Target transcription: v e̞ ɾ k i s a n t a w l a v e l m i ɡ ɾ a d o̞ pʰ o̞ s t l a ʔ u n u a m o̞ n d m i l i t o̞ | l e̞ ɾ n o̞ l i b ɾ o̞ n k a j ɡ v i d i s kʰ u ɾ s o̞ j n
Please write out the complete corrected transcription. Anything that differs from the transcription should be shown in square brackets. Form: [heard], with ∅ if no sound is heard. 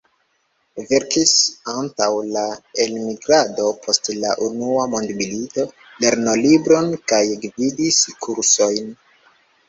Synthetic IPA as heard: v e̞ ɾ k i s a n t a w l a [∅] e l m i ɡ ɾ a d o̞ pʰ o̞ s t l a ʔ u n u a m o̞ n d m i l i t o̞ | l e̞ ɾ n o̞ l i b ɾ o̞ n k a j ɡ v i d i s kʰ u ɾ s o̞ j n